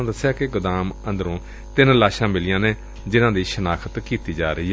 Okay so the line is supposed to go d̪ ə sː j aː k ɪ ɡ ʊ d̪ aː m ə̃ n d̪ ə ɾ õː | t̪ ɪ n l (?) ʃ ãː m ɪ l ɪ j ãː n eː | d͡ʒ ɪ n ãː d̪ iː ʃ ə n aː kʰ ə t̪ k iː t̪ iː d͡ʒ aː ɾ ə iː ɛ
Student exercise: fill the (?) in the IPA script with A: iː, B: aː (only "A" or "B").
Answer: B